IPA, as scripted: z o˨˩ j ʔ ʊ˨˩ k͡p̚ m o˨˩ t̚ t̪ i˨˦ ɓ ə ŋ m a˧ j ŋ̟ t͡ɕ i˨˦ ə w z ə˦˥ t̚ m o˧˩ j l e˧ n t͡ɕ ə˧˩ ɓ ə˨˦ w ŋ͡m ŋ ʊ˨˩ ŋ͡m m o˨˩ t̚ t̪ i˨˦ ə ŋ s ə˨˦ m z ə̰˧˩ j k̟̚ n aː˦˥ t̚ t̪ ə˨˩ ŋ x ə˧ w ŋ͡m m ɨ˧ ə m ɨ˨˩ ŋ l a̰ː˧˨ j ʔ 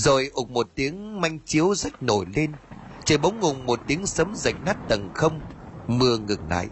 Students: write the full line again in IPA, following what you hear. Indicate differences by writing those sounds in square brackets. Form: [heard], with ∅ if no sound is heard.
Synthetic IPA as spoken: z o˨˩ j ʔ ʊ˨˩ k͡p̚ m o˨˩ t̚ t̪ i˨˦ [∅] ə ŋ m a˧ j ŋ̟ t͡ɕ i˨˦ ə w z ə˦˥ t̚ [n] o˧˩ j l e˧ n t͡ɕ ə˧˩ ɓ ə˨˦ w ŋ͡m ŋ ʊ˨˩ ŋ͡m m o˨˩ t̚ t̪ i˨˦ ə ŋ s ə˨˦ m z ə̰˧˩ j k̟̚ n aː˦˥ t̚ t̪ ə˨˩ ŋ x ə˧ w ŋ͡m m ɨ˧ ə [ŋ] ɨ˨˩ ŋ l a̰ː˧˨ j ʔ